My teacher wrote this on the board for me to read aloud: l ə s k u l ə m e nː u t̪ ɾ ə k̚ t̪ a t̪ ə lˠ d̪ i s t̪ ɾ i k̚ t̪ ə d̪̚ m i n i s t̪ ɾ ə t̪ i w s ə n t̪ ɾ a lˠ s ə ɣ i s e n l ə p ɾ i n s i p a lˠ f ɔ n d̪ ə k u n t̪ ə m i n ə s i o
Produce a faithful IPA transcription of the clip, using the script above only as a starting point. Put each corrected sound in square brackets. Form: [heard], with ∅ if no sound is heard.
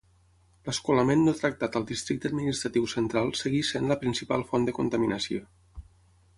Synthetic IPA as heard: l ə s k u l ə m e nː [o] t̪ ɾ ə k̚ t̪ a t̪ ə lˠ d̪ i s t̪ ɾ i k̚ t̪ ə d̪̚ m i n i s t̪ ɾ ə t̪ i w s ə n t̪ ɾ a lˠ s ə ɣ i s e n l ə p ɾ i n s i p a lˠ f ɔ n d̪ ə k u n t̪ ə m i n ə s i o